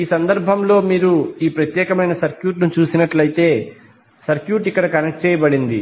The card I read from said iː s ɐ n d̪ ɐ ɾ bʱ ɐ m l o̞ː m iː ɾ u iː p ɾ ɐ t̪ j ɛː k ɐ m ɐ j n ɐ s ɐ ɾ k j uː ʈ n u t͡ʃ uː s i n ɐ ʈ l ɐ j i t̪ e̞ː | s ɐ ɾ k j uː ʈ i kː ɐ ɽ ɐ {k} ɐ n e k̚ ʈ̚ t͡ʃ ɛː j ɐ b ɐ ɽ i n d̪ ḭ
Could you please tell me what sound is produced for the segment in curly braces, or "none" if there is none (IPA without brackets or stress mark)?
k